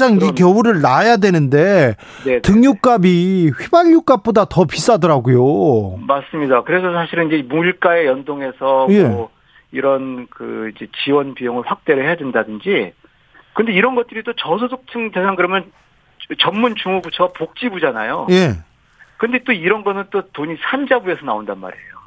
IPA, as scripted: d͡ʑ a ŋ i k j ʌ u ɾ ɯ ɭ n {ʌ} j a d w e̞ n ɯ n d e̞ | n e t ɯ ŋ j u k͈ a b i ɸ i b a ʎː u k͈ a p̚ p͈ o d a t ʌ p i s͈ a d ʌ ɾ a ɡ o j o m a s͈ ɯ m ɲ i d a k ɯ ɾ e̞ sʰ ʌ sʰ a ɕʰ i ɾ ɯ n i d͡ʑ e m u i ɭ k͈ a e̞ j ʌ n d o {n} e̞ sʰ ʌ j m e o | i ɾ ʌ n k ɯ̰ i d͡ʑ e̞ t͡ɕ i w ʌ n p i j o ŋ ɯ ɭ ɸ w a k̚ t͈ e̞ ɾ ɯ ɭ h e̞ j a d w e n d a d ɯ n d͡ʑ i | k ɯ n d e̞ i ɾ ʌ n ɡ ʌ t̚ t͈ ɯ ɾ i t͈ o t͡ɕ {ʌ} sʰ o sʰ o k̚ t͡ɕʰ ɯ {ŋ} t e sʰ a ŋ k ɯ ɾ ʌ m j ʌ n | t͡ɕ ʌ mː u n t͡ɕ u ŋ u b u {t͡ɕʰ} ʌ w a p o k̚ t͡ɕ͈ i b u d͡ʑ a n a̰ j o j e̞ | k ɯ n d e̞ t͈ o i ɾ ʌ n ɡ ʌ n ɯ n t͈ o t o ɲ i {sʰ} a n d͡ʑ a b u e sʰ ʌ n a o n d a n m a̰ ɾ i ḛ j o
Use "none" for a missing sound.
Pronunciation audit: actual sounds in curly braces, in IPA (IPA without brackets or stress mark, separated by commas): a, ŋ, ʌ, ŋ, t͡ɕʰ, sʰ